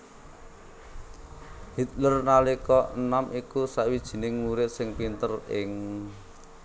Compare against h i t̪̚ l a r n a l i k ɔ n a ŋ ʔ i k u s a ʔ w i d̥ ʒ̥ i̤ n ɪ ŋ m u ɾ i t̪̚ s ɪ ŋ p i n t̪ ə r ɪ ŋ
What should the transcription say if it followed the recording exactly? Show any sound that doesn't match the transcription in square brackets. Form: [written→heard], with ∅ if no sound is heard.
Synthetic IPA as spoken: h i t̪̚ l [a→ə] r n a l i k ɔ n a [ŋ→m] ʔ i k u s a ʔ w i d̥ ʒ̥ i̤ n ɪ ŋ m u ɾ [i→ɪ] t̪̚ s ɪ ŋ p i n t̪ ə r ɪ ŋ